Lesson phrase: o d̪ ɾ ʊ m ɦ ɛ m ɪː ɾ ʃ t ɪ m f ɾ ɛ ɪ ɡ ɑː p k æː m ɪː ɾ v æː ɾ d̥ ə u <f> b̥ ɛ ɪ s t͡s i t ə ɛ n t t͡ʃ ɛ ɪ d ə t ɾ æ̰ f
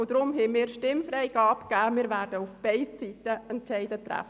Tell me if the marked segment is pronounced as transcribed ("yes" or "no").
yes